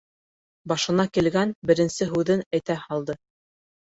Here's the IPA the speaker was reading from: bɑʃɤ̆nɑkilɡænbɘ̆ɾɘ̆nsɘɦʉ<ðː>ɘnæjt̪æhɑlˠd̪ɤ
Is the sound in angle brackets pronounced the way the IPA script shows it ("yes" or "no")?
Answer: no